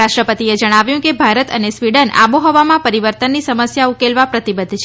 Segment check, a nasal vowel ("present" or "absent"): present